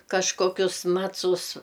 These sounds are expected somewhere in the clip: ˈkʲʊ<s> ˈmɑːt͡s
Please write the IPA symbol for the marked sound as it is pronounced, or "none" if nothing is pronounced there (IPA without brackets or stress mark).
s